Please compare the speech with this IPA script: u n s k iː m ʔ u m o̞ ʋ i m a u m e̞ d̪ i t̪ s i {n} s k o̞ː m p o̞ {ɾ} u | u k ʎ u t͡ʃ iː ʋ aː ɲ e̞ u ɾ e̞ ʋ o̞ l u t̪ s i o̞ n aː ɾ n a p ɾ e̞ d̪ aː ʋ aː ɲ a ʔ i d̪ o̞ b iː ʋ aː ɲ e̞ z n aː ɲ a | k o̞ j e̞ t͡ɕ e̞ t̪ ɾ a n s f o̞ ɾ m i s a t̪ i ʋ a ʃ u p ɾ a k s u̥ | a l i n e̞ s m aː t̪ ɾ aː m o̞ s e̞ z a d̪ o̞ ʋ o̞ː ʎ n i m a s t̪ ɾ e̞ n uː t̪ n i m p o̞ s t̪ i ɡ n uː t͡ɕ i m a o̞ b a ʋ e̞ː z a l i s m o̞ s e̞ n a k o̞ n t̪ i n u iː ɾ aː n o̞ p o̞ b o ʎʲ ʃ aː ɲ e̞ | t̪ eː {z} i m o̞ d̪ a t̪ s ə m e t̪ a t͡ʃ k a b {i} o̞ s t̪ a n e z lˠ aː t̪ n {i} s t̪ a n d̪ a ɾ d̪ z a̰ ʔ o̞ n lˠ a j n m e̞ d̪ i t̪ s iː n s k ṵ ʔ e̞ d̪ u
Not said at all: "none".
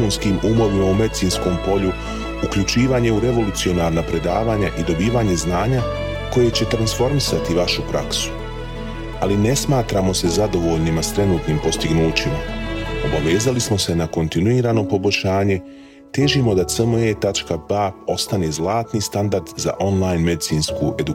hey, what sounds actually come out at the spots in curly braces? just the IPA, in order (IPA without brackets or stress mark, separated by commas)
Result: n, ʎ, ʒ, a, i